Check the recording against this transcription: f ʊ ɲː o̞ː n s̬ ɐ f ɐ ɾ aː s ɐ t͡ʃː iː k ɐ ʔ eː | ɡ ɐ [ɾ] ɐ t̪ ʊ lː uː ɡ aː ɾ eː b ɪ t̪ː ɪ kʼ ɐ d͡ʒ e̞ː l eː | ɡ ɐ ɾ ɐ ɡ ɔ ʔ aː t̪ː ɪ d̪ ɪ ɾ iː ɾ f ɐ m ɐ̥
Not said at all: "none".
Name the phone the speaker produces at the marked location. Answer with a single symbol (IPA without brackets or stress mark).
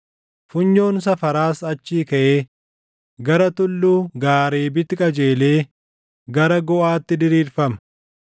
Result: ɾ